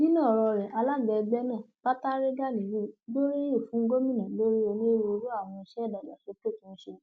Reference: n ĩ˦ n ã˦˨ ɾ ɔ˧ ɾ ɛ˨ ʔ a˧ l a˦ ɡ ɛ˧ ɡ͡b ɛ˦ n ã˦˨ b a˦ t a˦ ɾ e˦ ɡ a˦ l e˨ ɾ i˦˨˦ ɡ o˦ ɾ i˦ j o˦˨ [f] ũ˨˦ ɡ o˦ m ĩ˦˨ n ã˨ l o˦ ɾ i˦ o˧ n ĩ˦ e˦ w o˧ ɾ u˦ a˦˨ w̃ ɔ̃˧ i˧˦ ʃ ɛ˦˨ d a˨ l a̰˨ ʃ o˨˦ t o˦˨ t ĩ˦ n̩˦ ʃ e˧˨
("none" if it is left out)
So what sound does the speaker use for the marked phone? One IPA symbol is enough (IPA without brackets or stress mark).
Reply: f